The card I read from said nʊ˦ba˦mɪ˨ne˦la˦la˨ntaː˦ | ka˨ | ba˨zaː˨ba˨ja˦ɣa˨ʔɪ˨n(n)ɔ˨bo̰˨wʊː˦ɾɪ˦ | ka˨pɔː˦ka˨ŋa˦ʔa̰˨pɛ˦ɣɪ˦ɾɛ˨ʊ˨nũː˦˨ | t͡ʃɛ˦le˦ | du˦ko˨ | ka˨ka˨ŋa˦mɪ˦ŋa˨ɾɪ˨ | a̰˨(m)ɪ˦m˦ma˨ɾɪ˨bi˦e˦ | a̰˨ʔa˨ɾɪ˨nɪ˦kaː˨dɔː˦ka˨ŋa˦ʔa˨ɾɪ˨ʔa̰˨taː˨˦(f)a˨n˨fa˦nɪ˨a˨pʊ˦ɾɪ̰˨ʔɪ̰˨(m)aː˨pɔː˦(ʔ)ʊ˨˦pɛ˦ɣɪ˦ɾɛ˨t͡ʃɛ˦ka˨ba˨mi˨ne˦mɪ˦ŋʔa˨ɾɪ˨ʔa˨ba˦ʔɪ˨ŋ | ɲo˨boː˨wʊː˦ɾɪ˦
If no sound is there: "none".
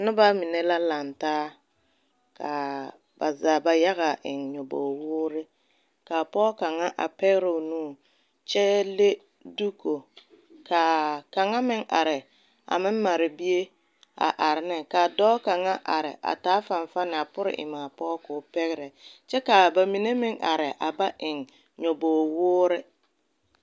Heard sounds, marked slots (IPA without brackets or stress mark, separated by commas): ɲ, m, f, m, k